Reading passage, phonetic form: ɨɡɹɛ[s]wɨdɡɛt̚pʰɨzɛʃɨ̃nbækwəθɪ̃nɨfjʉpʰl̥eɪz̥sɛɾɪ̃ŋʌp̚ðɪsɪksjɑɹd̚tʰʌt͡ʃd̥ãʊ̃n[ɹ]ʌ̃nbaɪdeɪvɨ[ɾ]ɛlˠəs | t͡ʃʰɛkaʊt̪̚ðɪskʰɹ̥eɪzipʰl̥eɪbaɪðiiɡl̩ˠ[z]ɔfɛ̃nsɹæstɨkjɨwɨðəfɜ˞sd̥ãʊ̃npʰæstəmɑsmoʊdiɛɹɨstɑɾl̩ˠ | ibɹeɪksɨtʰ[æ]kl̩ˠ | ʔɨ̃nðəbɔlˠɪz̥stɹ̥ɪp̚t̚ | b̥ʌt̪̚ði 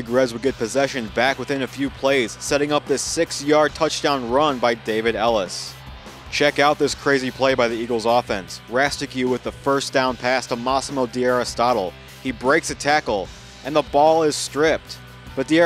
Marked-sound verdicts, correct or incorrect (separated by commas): incorrect, correct, correct, correct, correct